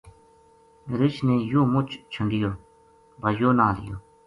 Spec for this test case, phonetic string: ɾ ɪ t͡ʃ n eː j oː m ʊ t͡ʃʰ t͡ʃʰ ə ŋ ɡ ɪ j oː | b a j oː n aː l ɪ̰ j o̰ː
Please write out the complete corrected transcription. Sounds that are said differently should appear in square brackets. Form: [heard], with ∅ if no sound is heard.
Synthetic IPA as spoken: ɾ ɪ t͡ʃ n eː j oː m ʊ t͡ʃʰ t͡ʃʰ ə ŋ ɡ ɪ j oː | b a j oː n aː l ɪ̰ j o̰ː